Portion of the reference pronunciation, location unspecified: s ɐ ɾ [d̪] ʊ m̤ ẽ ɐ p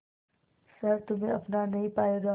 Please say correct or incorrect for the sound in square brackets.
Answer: incorrect